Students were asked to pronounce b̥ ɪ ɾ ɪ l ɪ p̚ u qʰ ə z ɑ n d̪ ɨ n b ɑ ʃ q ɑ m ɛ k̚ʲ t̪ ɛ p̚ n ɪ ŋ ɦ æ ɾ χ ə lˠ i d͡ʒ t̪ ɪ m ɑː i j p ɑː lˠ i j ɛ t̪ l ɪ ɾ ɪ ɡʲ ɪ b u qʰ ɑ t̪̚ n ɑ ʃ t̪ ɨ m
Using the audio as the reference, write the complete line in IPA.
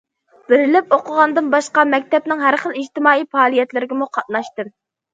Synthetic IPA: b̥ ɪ ɾ ɪ l ɪ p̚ o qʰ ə ʁ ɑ n d̪ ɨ n b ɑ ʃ q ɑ m ɛ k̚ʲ t̪ ɛ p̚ n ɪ ŋ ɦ æ ɾ χ ə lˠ i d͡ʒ t̪ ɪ m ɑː i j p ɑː lˠ i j ɛ t̪ l ɪ ɾ ɪ ɡʲ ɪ m u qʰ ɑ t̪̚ n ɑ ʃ t̪ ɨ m

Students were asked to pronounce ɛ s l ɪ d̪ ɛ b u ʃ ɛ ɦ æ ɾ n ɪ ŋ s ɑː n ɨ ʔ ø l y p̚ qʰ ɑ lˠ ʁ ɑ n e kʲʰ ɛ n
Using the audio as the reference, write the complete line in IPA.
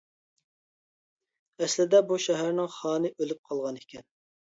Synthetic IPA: ɛ s l ɪ d̪ ɛ b u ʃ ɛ ɦ æ ɾ n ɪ ŋ χ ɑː n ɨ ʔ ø l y p̚ qʰ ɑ lˠ ʁ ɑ n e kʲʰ ɛ n

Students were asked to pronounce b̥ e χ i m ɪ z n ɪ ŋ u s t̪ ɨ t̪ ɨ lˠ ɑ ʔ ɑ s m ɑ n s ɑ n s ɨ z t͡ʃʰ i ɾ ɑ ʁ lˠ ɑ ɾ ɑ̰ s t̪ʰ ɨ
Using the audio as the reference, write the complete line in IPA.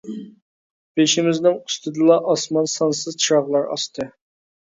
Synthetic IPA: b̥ e ʃ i m ɪ z n ɪ ŋ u s t̪ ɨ d̪ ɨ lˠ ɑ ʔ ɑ s m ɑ n s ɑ n s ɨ z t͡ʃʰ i ɾ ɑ ʁ lˠ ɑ ɾ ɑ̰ s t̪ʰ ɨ

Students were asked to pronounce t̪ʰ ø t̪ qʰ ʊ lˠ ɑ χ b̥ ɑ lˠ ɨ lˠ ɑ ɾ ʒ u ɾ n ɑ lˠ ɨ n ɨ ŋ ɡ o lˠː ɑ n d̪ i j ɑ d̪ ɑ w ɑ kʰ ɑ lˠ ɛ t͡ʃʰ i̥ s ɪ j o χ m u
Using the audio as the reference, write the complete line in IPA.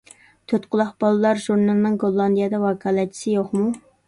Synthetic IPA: t̪ʰ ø t̪ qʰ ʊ lˠ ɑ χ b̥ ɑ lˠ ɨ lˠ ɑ ɾ ʒ u ɾ n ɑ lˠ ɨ n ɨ ŋ ɡ o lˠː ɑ n d̪ i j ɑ d̪ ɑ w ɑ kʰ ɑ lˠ ɛ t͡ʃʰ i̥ s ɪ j o χ m u

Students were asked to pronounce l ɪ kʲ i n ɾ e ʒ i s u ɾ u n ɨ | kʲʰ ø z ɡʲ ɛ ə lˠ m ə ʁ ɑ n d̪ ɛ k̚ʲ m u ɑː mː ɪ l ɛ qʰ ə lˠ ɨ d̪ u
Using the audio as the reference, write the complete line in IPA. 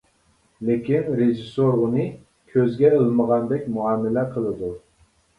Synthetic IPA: l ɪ kʲ i n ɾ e ʒ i s o ɾ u n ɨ | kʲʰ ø z ɡʲ ɛ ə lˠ m ə ʁ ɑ n d̪ ɛ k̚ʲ m u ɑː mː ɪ l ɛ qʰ ə lˠ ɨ d̪ u

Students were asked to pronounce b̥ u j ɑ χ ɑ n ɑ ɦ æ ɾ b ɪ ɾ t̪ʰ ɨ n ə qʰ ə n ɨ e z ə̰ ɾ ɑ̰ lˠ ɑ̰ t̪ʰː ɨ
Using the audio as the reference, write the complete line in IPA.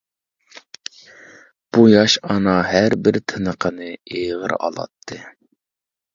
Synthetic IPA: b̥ u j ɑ ʃ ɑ n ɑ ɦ æ ɾ b ɪ ɾ t̪ʰ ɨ n ə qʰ ə n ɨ e ʁ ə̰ ɾ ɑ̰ lˠ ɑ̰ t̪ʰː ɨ

